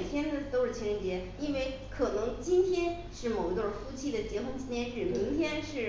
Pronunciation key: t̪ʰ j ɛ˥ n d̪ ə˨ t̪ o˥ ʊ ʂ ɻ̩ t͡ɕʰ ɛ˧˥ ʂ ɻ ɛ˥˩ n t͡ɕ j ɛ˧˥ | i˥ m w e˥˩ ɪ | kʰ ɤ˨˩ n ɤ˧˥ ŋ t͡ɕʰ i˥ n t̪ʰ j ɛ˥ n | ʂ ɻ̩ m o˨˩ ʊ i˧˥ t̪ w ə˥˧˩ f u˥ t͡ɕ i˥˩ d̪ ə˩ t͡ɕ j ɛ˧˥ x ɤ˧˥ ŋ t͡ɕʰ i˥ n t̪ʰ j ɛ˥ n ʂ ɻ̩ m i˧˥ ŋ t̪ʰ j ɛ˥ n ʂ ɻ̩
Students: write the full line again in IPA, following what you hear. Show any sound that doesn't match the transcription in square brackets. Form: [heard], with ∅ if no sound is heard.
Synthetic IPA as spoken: t̪ʰ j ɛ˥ n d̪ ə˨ t̪ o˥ ʊ ʂ ɻ̩ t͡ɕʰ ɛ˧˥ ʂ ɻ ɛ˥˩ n t͡ɕ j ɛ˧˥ | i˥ [n] w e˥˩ ɪ | kʰ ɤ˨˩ n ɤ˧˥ ŋ [t͡ɕ] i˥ n t̪ʰ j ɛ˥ n | ʂ ɻ̩ m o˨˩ ʊ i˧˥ t̪ w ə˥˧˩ f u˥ [t͡ɕʰ] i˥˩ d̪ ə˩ t͡ɕ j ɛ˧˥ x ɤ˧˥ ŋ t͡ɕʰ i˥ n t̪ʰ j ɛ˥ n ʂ ɻ̩ m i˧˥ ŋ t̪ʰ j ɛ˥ n ʂ ɻ̩